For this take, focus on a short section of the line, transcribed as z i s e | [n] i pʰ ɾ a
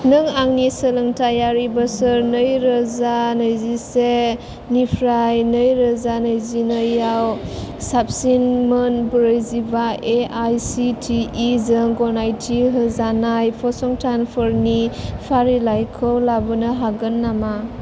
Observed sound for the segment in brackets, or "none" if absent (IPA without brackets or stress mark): n